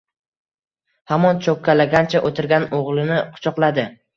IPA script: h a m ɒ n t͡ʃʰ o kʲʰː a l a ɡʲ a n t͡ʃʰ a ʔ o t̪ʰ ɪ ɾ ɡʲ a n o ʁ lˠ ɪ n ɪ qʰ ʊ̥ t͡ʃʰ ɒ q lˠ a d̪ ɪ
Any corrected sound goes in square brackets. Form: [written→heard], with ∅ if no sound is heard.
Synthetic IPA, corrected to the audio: h a m ɒ n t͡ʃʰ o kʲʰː a l a ɡʲ a n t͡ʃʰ a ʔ o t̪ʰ ɪ ɾ ɡʲ a n o ʁ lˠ ɪ n ɪ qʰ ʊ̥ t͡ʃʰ ɒ q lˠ a d̪ ɪ